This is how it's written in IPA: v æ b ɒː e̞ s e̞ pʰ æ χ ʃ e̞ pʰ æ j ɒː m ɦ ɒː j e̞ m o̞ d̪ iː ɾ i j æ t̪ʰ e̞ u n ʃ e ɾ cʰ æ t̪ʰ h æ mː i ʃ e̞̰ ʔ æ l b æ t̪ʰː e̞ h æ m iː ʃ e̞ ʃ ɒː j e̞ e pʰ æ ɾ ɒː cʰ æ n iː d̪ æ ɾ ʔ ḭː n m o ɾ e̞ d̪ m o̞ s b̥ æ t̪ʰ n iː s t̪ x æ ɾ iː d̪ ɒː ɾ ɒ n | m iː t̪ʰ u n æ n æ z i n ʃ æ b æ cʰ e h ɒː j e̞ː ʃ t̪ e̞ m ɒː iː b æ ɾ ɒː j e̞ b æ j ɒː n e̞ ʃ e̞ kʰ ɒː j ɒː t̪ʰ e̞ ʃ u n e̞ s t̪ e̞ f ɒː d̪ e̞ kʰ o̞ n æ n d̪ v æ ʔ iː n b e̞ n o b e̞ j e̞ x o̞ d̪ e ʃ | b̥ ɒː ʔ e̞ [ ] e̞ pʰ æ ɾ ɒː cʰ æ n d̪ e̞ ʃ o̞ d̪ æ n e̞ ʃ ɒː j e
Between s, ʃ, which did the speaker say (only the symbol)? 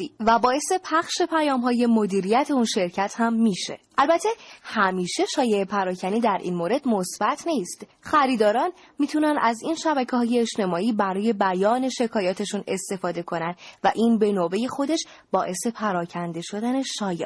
s